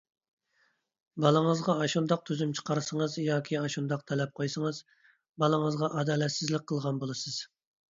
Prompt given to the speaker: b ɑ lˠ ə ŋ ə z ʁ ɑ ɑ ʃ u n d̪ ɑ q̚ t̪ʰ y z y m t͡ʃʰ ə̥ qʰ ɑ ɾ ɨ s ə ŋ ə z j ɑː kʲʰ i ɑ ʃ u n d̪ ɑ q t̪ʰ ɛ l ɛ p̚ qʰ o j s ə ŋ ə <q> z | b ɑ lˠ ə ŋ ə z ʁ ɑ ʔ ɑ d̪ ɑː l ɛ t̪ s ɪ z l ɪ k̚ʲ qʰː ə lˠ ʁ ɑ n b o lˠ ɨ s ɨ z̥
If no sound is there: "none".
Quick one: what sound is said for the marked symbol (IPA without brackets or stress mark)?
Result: none